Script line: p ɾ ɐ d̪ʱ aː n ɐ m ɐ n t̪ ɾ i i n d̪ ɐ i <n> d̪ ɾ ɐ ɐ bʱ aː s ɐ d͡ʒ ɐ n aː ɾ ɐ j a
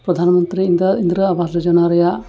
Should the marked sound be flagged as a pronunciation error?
no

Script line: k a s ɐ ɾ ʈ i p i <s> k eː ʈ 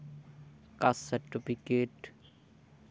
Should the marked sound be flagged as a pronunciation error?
yes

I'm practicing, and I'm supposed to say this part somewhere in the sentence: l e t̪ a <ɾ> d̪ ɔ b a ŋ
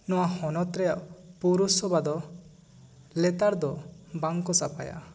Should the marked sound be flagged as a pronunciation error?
no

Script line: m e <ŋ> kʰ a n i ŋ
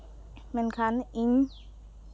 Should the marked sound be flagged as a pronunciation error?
yes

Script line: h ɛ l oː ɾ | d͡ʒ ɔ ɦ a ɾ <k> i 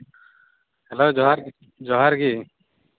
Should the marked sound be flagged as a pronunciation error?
yes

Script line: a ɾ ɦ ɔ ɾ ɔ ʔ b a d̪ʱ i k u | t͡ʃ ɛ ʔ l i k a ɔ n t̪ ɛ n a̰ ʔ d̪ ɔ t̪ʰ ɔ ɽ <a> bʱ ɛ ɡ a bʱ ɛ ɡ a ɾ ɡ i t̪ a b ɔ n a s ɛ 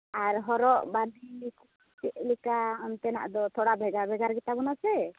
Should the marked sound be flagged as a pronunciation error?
no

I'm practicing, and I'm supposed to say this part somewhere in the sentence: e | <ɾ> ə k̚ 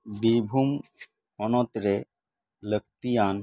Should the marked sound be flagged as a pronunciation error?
yes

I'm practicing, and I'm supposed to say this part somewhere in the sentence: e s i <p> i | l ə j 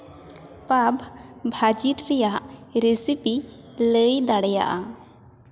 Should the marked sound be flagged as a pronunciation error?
no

